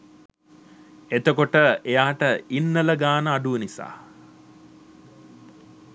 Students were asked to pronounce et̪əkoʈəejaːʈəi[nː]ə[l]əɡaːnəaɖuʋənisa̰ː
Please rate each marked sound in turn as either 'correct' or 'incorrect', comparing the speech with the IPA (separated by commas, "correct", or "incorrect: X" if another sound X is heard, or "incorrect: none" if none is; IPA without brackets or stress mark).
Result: correct, correct